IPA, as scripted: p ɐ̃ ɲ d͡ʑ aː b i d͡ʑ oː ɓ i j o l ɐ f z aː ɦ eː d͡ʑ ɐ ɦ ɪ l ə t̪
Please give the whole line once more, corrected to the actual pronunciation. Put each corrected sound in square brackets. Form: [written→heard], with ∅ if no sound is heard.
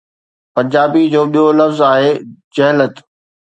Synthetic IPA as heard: p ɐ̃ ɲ d͡ʑ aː b i d͡ʑ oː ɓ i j o l ɐ f z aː ɦ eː d͡ʑ ɐ ɦ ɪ l ə t̪